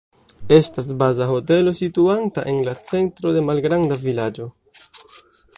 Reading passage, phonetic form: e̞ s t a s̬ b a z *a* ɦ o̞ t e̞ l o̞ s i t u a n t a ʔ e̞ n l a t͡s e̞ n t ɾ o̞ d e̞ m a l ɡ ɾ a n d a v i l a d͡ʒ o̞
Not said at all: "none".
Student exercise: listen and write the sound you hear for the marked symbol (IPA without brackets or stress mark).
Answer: a